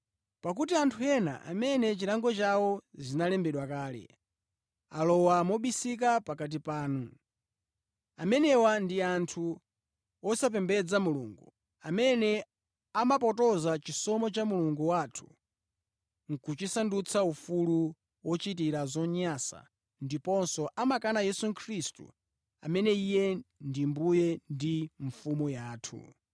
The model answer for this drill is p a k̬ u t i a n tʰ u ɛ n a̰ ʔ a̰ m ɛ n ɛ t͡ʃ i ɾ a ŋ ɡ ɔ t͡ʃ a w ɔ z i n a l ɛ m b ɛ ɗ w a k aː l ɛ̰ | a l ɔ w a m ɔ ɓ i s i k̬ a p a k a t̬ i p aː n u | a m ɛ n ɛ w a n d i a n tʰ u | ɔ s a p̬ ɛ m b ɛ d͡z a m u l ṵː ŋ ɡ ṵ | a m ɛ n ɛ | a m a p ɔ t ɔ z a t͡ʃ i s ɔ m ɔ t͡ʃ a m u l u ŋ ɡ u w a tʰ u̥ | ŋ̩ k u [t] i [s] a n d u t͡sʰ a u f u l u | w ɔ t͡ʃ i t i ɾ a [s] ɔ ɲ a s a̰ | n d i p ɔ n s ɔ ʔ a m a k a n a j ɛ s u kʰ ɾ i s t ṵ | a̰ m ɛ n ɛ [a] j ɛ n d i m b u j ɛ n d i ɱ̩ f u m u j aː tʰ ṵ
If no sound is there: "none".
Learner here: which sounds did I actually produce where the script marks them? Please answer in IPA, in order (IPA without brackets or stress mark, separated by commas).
t͡ʃ, s, z, i